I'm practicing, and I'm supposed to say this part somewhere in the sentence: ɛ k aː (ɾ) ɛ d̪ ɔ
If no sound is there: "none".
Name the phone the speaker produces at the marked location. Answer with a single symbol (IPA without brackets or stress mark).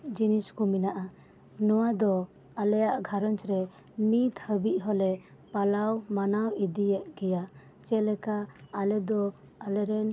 l